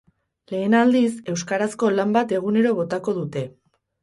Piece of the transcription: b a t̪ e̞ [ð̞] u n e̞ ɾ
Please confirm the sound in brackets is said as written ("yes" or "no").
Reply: no